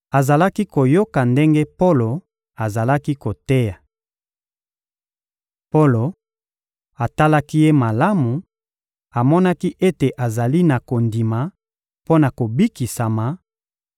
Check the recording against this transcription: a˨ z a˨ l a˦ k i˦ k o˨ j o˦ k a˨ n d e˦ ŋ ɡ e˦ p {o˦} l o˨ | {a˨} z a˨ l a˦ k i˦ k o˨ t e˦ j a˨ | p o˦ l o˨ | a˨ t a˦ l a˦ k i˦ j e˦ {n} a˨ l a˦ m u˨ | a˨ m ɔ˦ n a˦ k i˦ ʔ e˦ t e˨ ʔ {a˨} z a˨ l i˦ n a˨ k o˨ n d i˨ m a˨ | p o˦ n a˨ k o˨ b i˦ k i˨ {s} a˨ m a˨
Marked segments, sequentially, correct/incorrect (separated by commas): correct, correct, incorrect, correct, correct